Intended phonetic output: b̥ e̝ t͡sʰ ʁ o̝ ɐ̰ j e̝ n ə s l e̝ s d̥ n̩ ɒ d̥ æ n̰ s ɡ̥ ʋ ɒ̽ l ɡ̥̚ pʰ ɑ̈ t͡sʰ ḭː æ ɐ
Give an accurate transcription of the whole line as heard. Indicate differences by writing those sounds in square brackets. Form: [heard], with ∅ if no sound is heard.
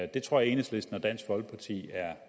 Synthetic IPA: [d̥] e̝ t͡sʰ ʁ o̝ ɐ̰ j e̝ n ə s l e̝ s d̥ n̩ ɒ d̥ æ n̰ s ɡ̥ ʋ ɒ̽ l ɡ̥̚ pʰ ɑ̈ t͡sʰ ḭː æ ɐ